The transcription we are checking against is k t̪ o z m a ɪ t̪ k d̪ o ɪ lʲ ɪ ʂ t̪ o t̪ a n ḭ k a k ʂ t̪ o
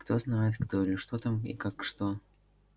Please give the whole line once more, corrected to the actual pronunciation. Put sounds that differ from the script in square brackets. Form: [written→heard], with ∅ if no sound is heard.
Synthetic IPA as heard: k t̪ o z [m→n] a ɪ t̪ k [d̪→t̪] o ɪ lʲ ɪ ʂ t̪ o t̪ a [n→m] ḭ k a k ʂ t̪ o